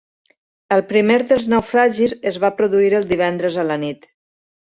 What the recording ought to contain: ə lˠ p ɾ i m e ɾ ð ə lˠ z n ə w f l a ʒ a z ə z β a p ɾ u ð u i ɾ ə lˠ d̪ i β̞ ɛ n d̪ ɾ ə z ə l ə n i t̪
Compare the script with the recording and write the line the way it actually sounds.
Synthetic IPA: ə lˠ p ɾ i m e ɾ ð ə lˠ z n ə w f ɾ a ʒ i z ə z β a p ɾ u ð u i ɾ ə lˠ d̪ i β̞ ɛ n d̪ ɾ ə z ə l ə n i t̪

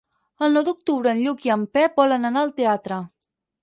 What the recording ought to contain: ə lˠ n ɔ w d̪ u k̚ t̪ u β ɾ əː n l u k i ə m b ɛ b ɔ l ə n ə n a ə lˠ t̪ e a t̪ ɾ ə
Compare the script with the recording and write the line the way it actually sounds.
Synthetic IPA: ə lˠ n ɔ w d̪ u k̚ t̪ u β ɾ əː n ʎ u k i ə m p ɛ b ɔ l ə n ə n a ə lˠ t̪ e a t̪ ɾ ə

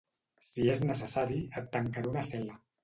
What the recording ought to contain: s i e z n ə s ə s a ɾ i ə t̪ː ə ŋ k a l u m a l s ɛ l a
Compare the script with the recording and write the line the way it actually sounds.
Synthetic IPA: s i e z n ə s ə s a ɾ i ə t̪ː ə ŋ k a ɾ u n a s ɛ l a

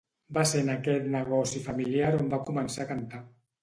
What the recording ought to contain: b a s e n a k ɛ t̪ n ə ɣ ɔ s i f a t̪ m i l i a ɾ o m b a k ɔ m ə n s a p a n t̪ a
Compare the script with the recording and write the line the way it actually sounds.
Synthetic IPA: b a s e n a k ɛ t̪ n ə ɣ ɔ s i f a m i l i a ɾ o m b a k u m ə n s a k a n t̪ a

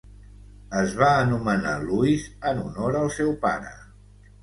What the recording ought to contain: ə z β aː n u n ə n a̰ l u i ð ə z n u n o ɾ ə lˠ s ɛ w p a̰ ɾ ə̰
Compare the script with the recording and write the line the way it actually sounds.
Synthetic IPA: ə z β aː n u m ə n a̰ l u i z ə n u n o ɾ ə lˠ s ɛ w p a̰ ɾ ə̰

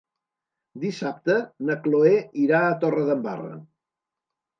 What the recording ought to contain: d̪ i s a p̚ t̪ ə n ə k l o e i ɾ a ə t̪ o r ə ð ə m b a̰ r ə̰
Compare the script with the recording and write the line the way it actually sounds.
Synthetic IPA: d̪ i s a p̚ t̪ ə n ə k l o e i ɾ a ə t̪ o r ə ð ə m b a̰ r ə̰

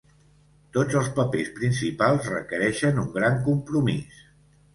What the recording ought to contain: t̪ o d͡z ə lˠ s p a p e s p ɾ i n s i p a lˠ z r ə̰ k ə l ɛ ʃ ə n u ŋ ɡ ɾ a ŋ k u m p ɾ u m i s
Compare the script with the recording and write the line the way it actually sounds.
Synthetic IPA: t̪ o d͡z ə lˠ s p ə p e s p ɾ i n s i p a lˠ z r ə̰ k ə ɾ ɛ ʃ ə n u ŋ ɡ ɾ a ŋ k u m p ɾ u m i s

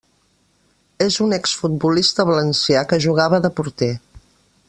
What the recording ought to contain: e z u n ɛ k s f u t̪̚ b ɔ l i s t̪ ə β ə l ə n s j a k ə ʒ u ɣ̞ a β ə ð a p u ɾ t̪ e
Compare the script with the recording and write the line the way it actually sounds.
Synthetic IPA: e z u n ɛ k s f u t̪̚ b u l i s t̪ ə β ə l ə n s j a k ə ʒ u ɣ̞ a β ə ð ə p u ɾ t̪ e

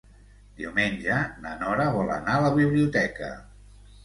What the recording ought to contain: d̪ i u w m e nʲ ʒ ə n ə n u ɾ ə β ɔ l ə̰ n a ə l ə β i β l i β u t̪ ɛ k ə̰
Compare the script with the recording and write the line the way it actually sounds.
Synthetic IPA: d̪ i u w m e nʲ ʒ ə n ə n ɔ ɾ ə β ɔ l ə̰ n a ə l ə β i β l i u t̪ ɛ k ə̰

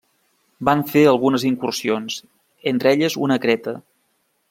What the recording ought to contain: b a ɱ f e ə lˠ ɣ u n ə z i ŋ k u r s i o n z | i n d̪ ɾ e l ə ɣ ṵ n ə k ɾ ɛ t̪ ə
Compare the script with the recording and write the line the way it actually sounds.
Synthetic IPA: b a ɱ f e ə lˠ ɣ u n ə z i ŋ k u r s i o n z | e n t̪ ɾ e ʎ ə z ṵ n ə k ɾ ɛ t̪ ə

